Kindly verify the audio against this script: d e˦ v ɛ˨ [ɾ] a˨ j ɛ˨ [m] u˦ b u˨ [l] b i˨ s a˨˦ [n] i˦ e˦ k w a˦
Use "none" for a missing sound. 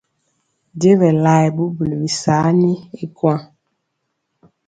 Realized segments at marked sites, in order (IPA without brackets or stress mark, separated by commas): l, b, l, n